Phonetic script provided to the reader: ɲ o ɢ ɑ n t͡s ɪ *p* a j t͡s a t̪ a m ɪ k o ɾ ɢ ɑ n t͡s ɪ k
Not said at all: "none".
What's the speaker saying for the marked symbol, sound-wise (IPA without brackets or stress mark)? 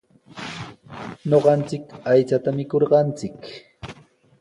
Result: k